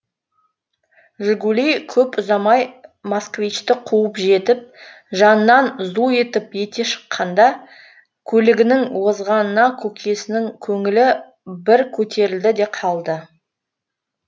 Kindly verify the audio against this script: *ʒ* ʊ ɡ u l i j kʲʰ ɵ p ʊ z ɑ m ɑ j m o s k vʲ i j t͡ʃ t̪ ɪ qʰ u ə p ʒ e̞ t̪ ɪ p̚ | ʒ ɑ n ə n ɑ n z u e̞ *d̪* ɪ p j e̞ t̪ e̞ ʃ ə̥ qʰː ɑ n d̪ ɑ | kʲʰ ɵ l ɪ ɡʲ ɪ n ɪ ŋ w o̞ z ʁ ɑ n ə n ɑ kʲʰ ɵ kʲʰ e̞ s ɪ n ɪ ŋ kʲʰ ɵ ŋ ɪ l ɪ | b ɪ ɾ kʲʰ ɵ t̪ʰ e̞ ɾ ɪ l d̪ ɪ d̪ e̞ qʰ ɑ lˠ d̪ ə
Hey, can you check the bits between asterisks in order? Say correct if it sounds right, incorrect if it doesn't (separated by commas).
correct, incorrect